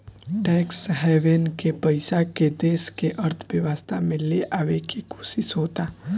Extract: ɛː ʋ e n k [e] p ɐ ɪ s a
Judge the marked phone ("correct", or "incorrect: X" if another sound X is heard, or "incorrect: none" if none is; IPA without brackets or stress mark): correct